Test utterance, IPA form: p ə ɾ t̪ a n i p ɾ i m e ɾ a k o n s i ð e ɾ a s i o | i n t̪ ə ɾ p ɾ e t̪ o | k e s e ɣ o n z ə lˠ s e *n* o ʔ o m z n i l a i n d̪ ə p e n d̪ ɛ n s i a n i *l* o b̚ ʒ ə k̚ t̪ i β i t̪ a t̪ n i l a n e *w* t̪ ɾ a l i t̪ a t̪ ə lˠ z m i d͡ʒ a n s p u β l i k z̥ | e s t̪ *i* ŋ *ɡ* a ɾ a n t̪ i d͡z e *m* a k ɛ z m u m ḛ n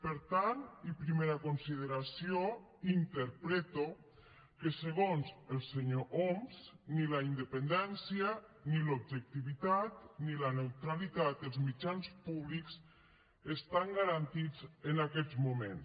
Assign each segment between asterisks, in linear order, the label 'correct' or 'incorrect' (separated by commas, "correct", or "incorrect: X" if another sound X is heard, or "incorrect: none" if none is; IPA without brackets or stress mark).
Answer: incorrect: ɲ, correct, correct, incorrect: a, correct, incorrect: n